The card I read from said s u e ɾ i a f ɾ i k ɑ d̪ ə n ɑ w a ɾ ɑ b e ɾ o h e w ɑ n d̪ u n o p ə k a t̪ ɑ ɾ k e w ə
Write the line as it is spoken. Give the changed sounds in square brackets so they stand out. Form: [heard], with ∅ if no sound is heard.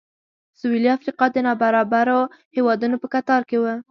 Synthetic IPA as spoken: s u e [l] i a f ɾ i [q] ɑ d̪ ə n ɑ [b] a ɾ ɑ b [a] ɾ o h e w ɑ [∅] d̪ u n o p ə k a t̪ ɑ ɾ k e w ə